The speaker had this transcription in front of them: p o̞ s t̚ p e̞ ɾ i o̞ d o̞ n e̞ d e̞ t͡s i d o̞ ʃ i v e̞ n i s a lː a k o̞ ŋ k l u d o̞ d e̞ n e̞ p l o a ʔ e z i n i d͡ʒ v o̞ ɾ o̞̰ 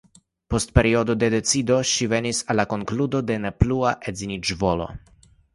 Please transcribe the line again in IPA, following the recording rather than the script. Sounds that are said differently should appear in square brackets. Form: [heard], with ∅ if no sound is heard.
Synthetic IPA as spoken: p o̞ s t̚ p e̞ ɾ i o̞ d o̞ [d] e̞ d e̞ t͡s i d o̞ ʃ i v e̞ n i s a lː a k o̞ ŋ k l u d o̞ d e̞ n e̞ p l [u] a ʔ e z i n i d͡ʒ v o̞ [l] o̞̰

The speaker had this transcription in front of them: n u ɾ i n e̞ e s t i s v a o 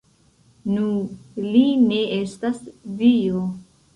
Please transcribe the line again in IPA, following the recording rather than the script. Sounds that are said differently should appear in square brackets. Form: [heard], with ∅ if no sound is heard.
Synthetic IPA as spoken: n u [l] i n e̞ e s t [a] s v [i] o

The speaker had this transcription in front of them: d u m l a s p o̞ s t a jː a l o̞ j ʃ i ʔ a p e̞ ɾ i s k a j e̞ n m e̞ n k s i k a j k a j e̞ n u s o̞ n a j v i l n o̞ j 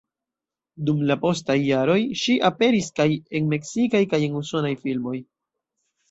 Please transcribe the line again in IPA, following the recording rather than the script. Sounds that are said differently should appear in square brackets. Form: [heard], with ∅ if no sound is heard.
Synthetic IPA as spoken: d u m l a [∅] p o̞ s t a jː a [ɾ] o̞ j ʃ i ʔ a p e̞ ɾ i s k a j e̞ n m e̞ [∅] k s i k a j k a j e̞ n u s o̞ n a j [f] i l [m] o̞ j

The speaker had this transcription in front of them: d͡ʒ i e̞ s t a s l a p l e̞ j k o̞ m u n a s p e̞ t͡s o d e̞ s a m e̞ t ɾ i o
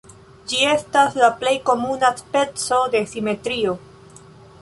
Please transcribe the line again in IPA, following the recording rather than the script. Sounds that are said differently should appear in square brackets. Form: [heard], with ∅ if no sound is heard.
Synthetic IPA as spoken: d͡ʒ i e̞ s t a s l a p l e̞ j k o̞ m u n a s p e̞ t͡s o d e̞ s [i] m e̞ t ɾ i o

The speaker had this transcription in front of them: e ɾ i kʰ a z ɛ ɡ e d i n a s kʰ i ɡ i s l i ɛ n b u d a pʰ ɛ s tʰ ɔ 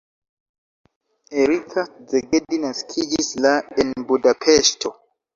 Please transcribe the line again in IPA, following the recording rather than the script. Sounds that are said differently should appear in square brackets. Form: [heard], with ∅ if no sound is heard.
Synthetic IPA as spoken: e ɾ i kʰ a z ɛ ɡ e d i n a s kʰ i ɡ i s l [a] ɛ n b u d a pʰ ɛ s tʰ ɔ

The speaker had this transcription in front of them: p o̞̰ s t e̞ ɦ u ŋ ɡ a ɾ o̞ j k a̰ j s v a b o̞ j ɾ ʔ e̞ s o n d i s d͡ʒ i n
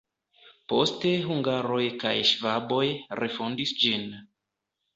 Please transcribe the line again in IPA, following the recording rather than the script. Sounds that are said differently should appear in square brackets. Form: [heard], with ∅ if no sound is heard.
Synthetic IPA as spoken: p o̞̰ s t e̞ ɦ u ŋ ɡ a ɾ o̞ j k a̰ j [ʃ] v a b o̞ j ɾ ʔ e̞ [f] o n d i s d͡ʒ i n

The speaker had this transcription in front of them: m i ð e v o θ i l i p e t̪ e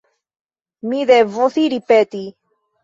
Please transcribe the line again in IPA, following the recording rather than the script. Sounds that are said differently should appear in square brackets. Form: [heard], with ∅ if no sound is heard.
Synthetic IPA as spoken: m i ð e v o θ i [ɾ] i p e t̪ [i]

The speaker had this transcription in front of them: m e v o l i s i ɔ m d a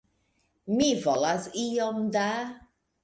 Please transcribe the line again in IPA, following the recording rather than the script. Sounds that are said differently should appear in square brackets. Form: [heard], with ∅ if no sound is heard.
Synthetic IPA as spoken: m [i] v [ɔ] l [a] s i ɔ m d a

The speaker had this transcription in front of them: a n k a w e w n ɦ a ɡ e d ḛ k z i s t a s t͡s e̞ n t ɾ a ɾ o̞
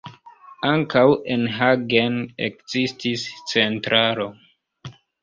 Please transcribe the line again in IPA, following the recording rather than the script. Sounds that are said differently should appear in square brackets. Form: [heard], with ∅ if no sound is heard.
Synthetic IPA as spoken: a [ŋ] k a w e [∅] n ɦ a ɡ e [n] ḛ k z i s t [i] s t͡s e̞ n t ɾ a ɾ o̞

